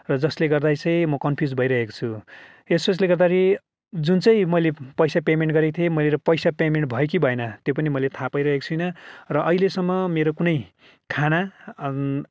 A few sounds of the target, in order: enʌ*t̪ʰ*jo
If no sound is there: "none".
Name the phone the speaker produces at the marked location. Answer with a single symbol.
t̪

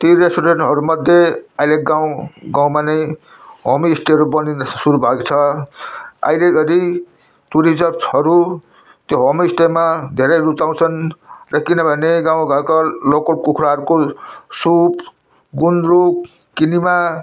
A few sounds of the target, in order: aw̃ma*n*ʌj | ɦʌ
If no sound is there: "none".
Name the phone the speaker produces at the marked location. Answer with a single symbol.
n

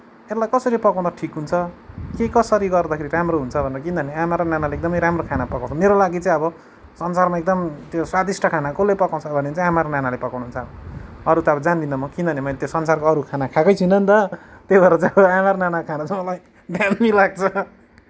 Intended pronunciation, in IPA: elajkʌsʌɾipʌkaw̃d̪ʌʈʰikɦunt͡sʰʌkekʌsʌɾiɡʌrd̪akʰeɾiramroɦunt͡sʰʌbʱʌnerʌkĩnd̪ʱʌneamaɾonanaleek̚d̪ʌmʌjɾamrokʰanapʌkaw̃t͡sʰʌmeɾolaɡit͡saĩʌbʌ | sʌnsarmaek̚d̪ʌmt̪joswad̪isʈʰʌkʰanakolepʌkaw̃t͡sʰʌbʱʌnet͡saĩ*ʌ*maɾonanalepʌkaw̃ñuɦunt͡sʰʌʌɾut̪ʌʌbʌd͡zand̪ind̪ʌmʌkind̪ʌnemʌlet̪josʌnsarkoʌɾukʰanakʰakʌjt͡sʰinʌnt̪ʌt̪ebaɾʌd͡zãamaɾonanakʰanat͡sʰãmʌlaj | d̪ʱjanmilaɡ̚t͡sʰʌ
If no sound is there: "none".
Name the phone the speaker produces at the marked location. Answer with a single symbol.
a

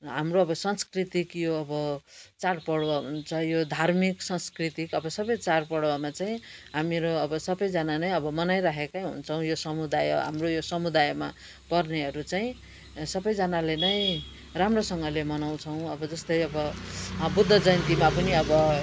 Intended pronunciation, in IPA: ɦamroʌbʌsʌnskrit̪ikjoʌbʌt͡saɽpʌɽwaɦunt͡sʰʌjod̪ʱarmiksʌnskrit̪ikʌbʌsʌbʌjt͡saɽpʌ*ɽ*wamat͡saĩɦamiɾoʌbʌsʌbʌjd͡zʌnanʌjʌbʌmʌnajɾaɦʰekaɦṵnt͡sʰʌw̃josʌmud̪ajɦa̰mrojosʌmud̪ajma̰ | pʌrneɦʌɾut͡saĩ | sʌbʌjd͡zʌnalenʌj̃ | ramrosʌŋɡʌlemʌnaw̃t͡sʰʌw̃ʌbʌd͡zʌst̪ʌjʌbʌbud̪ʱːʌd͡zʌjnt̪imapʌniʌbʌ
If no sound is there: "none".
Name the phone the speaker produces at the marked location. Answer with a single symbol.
ɽ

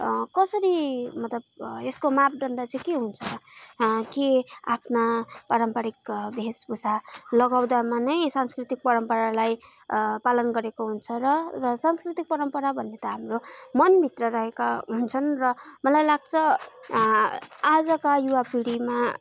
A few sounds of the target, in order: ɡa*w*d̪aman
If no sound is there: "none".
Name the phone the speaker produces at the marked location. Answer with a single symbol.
w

